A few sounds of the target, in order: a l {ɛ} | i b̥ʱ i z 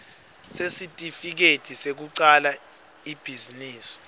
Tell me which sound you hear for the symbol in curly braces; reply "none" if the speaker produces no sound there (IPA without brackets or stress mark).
a